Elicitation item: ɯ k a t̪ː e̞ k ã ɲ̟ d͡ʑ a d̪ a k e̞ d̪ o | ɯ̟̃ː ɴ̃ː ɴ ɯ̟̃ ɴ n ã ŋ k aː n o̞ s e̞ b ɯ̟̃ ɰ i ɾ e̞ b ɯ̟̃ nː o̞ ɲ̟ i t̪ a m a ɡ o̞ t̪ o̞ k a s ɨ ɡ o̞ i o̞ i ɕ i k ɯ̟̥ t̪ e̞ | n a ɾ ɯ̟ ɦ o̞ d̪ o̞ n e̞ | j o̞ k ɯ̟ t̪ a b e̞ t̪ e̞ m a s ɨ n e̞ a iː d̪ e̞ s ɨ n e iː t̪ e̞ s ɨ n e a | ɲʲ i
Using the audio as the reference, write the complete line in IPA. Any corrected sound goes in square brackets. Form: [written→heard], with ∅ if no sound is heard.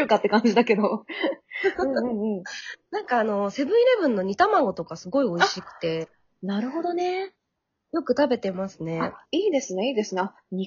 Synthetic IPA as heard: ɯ k a t̪ː e̞ k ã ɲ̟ d͡ʑ [a→i] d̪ a k e̞ d̪ o | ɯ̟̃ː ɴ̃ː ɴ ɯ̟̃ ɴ n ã ŋ k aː n o̞ s e̞ b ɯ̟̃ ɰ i ɾ e̞ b ɯ̟̃ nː o̞ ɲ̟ i t̪ a m a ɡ o̞ t̪ o̞ k a s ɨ ɡ o̞ i o̞ i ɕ i k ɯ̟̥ t̪ e̞ | n a ɾ ɯ̟ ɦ o̞ d̪ o̞ n e̞ | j o̞ k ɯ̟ t̪ a b e̞ t̪ e̞ m a s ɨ n e̞ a iː d̪ e̞ s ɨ n e iː [t̪→d̪] e̞ s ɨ n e a | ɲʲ i